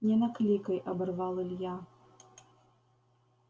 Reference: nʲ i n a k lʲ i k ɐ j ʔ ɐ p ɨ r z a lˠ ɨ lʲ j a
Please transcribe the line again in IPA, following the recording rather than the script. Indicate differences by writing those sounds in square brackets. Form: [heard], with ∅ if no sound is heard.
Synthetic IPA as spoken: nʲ [ɛ] n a k lʲ i k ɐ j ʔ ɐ [b] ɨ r [v] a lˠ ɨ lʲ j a